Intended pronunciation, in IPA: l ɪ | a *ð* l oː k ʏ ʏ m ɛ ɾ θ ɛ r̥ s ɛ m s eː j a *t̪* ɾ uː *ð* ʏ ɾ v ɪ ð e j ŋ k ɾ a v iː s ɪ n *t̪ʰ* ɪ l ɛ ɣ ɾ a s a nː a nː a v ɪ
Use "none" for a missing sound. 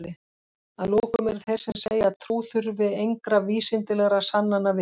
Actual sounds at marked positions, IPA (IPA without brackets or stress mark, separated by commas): ð, t̪ʰ, θ, t̪